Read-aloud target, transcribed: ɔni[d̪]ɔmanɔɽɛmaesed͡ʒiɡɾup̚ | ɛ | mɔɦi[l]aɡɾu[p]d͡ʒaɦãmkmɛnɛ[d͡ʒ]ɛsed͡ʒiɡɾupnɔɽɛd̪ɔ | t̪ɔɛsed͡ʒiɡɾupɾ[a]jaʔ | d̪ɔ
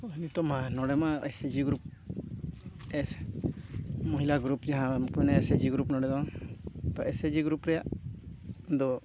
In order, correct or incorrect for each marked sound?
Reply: incorrect: t̪, correct, correct, incorrect: none, incorrect: ɛ

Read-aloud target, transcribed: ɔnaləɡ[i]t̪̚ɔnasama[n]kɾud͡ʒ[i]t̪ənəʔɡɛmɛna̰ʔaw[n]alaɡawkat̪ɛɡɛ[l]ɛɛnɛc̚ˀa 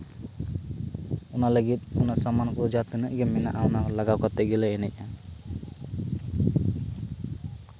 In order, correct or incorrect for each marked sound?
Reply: correct, correct, incorrect: a, correct, correct

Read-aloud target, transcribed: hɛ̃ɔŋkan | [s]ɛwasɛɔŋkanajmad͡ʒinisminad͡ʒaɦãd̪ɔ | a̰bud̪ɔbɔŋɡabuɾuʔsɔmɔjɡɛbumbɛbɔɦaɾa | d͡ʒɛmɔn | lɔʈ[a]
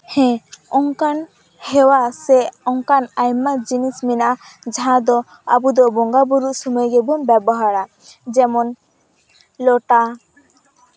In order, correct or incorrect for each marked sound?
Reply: incorrect: h, correct

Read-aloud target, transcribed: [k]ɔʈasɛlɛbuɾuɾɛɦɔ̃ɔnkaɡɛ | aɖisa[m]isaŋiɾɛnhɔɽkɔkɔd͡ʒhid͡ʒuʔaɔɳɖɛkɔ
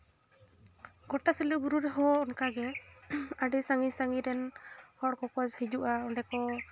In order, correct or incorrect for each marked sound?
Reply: incorrect: ɡ, incorrect: ŋ

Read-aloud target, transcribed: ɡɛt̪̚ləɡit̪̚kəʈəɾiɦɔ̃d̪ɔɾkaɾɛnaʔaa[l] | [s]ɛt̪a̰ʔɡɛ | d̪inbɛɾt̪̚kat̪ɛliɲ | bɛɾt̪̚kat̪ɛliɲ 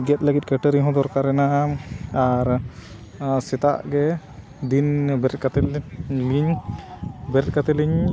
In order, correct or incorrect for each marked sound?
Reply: incorrect: ɾ, correct

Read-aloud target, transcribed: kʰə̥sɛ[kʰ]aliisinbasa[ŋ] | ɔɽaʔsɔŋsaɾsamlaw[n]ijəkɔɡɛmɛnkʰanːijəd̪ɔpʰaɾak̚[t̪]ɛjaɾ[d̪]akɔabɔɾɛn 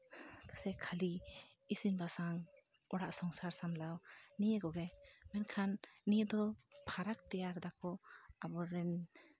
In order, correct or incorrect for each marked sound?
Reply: correct, correct, correct, correct, correct

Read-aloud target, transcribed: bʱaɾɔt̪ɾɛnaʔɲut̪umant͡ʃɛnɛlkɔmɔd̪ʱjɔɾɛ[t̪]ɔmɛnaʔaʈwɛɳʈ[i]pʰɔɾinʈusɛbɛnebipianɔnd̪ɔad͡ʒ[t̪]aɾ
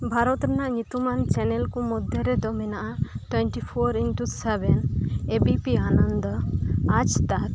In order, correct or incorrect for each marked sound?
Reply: incorrect: d̪, correct, correct

